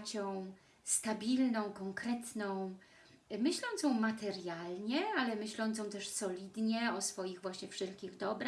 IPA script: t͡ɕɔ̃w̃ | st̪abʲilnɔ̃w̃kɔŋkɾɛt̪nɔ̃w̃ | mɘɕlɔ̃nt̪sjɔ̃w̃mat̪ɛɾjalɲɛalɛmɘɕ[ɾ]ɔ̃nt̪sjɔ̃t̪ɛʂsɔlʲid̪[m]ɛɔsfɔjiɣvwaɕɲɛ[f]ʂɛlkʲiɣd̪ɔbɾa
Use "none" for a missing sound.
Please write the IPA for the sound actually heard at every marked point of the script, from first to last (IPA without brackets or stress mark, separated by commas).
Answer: l, ɲ, f